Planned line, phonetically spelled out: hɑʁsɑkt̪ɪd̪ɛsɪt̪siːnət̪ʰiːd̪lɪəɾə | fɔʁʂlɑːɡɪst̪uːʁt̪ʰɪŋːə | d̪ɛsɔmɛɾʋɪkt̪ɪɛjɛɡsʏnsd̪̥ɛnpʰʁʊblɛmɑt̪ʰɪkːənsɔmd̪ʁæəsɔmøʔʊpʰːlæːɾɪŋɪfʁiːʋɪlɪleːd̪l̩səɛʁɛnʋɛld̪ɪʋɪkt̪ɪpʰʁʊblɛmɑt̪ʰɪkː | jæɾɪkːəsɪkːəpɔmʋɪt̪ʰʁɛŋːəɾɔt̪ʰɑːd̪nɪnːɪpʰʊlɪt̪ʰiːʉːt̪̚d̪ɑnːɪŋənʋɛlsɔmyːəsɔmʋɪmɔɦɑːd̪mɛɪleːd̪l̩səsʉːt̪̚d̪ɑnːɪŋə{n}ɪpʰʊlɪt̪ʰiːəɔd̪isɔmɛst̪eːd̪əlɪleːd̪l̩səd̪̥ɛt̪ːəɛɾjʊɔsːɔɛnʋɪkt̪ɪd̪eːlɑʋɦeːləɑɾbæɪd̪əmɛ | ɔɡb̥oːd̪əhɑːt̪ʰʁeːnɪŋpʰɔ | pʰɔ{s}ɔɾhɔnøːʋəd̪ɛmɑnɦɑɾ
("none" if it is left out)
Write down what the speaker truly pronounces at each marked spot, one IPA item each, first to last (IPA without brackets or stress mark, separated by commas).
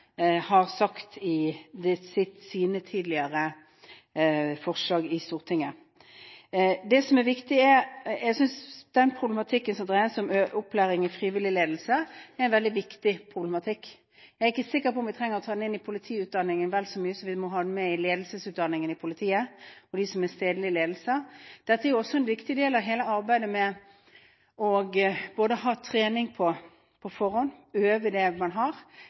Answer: n, f